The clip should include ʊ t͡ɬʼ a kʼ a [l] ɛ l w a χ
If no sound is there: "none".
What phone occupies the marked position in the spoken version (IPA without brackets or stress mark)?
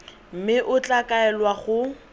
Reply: none